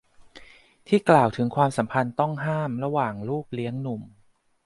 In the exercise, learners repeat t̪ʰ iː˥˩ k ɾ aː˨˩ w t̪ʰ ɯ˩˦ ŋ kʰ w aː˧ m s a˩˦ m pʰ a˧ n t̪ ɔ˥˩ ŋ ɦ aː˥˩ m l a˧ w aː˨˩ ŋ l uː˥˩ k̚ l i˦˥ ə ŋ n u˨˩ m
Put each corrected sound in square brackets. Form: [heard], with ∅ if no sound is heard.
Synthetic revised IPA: t̪ʰ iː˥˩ k [l] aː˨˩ w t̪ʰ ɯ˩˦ ŋ kʰ w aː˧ m s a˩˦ m pʰ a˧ n t̪ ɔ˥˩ ŋ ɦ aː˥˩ m [ɾ] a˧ w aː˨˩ ŋ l uː˥˩ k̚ l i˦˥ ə ŋ n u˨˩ m